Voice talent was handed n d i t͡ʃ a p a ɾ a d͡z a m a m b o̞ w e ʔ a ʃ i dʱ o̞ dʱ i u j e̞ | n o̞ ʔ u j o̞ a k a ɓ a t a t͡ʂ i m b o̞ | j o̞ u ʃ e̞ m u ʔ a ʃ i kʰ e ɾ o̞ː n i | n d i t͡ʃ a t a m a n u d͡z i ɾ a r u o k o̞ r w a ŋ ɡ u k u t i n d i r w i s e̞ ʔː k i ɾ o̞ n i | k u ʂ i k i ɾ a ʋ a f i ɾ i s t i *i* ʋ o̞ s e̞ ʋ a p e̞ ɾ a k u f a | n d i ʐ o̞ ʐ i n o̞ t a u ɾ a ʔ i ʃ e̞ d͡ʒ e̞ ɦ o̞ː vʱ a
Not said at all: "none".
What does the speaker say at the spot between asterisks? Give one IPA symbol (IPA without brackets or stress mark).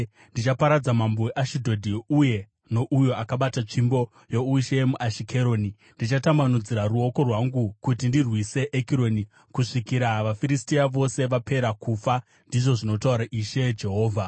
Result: a